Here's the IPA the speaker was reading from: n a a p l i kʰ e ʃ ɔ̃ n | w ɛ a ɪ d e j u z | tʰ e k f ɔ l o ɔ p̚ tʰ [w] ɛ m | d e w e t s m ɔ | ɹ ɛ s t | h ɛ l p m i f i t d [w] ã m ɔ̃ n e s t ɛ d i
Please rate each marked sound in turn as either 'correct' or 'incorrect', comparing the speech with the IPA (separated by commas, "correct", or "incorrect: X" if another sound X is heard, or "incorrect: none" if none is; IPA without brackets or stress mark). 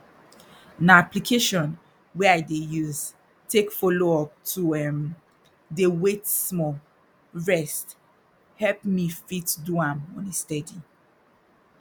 incorrect: u, incorrect: u